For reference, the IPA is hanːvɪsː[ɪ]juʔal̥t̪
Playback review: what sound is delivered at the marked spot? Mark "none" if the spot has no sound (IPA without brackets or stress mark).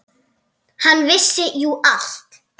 ɪ